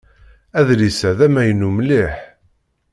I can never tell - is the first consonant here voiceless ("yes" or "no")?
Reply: no